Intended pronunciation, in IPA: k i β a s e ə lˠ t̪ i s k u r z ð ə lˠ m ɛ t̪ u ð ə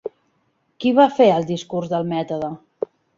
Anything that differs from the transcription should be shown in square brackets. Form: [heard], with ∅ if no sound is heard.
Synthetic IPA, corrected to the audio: k i β a [f] e ə lˠ [d̪] i s k u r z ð ə lˠ m ɛ t̪ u ð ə